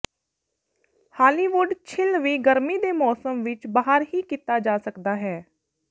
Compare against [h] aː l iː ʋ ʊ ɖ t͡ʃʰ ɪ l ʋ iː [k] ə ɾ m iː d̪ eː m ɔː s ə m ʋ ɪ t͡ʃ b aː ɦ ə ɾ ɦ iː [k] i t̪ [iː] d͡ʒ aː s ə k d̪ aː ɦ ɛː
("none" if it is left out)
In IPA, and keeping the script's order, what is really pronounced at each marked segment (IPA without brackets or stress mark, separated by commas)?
h, ɡ, k, aː